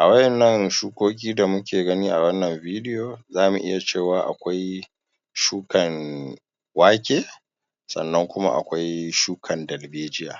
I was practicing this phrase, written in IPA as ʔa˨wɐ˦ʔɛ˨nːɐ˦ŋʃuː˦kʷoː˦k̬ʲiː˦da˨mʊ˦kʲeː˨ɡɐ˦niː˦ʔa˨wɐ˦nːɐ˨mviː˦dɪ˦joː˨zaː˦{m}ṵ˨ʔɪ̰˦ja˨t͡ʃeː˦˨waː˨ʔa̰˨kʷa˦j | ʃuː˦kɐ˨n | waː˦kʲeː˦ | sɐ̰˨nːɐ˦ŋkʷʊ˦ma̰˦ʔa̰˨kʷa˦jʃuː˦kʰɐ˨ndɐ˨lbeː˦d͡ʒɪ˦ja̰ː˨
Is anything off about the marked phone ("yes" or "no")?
no